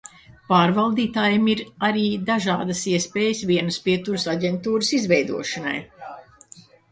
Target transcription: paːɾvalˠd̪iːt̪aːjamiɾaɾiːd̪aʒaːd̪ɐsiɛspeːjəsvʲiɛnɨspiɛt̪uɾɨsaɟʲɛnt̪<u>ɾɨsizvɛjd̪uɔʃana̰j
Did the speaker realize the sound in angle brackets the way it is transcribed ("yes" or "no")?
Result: no